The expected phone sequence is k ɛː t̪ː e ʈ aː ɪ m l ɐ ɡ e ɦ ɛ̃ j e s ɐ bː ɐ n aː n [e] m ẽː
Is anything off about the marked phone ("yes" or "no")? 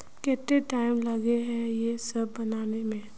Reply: no